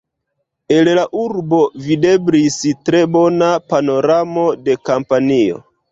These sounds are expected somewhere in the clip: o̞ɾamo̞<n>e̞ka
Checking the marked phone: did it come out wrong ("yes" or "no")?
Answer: yes